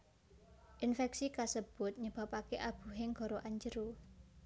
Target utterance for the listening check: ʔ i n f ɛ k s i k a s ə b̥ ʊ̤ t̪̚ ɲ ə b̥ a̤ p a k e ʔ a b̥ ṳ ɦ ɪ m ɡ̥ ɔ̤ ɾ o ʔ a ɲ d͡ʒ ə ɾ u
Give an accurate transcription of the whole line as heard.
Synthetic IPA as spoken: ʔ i n f ɛ k s i k a s ə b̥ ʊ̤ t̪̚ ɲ ə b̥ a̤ p a k e ʔ a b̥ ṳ ɦ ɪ ŋ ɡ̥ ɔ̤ ɾ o ʔ a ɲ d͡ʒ ə ɾ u